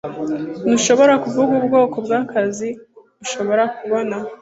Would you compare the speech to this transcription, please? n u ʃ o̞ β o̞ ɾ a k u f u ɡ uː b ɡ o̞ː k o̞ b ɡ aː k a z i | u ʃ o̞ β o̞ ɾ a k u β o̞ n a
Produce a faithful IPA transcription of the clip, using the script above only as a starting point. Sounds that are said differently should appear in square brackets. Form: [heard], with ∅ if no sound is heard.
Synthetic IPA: n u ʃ o̞ β o̞ ɾ a k u [v] u ɡ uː b ɡ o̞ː k o̞ b ɡ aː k a z i | u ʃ o̞ β o̞ ɾ a k u β o̞ n a